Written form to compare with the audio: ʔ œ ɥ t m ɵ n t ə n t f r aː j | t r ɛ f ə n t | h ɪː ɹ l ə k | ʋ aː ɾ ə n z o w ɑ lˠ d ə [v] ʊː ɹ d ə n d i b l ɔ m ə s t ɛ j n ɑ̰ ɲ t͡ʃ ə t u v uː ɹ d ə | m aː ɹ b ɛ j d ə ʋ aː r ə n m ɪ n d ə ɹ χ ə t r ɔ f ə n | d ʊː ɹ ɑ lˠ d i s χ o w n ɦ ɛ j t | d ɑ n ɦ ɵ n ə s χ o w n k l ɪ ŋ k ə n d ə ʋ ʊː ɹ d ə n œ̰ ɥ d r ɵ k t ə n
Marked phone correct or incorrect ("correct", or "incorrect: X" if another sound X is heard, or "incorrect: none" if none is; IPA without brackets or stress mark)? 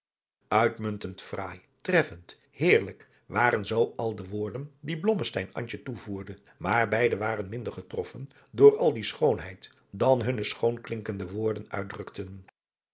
incorrect: ʋ